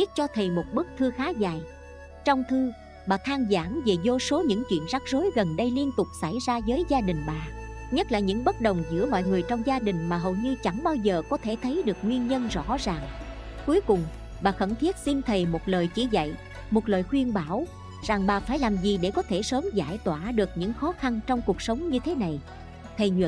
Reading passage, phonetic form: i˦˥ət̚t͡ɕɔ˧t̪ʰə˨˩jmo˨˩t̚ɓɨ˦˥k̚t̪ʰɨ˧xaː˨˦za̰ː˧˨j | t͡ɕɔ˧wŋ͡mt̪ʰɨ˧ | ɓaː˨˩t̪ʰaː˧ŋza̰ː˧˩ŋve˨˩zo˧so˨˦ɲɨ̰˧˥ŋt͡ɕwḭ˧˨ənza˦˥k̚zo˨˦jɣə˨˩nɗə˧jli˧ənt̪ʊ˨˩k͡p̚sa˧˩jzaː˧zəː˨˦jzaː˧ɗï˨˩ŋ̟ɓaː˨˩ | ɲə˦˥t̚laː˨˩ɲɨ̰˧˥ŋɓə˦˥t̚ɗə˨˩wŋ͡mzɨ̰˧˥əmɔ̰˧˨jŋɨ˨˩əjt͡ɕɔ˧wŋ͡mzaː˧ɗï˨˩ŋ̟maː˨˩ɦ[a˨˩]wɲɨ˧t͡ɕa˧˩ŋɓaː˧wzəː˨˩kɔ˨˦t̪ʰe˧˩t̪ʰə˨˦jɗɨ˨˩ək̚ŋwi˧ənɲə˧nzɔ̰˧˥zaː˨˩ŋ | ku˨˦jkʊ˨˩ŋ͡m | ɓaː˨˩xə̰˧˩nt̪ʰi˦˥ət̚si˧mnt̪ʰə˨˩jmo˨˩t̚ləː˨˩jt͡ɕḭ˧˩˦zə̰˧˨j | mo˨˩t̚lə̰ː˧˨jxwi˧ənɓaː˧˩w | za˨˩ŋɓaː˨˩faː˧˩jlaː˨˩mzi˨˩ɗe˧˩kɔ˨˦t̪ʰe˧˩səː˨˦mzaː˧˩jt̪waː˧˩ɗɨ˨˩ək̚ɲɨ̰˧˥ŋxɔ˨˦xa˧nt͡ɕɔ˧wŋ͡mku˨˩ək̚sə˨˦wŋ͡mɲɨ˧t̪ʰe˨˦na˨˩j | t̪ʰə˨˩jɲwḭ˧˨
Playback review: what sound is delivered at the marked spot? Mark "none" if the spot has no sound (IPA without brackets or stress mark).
ə˨˩